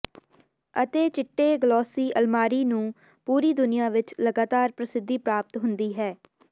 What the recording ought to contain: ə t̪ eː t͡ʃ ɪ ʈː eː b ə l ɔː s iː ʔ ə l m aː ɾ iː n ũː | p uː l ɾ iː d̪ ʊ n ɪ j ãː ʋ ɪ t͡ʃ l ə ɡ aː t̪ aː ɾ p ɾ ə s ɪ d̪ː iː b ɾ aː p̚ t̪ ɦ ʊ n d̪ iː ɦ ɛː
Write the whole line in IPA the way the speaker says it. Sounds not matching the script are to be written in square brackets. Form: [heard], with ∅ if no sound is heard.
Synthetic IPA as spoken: ə t̪ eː t͡ʃ ɪ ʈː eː [ɡ] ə l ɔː s iː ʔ ə l m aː ɾ iː n ũː | p uː [∅] ɾ iː d̪ ʊ n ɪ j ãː ʋ ɪ t͡ʃ l ə ɡ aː t̪ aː ɾ p ɾ ə s ɪ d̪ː iː [p] ɾ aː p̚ t̪ ɦ ʊ n d̪ iː ɦ ɛː